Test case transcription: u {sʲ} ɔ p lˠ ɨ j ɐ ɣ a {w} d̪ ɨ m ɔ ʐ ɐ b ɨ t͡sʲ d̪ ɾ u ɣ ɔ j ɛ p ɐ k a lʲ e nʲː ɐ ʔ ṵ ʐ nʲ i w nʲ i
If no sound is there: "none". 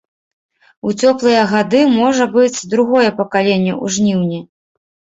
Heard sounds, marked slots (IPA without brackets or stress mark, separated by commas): t͡sʲ, none